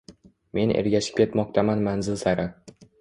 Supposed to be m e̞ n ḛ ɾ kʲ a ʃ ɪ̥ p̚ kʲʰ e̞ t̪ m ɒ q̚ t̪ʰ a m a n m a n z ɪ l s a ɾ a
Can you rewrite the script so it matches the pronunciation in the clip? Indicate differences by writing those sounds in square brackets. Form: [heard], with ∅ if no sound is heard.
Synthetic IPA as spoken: m e̞ n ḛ ɾ [ɡʲ] a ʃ ɪ̥ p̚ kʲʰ e̞ t̪ m ɒ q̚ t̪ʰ a m a n m a n z ɪ l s a ɾ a